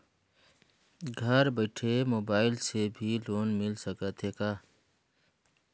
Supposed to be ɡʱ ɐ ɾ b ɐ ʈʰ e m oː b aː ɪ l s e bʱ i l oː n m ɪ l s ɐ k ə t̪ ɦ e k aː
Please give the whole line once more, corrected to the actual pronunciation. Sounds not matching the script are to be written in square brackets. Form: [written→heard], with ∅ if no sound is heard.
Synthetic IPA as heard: ɡʱ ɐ ɾ b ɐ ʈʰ e m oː b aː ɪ l s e bʱ i l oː n m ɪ l s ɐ k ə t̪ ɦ e k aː